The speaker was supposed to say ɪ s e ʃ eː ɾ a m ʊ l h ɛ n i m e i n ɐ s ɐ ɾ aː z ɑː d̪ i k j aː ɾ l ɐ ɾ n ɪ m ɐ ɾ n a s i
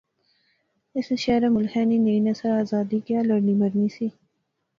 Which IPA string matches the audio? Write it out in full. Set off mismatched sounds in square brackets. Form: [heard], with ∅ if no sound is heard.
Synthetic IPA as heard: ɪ s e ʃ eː ɾ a m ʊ l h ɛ n i [n] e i n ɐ s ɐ ɾ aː z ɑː d̪ i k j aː [∅] l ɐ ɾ n [i] m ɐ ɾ n [i] s i